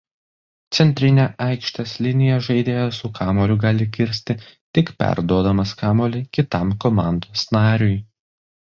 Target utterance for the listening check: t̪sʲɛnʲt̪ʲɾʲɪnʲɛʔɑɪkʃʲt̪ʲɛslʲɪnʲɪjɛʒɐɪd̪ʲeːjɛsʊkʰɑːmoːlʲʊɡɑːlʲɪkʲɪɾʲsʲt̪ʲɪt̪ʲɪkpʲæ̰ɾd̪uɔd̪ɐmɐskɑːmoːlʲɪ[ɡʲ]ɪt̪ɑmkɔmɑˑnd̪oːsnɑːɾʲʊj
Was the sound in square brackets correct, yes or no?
no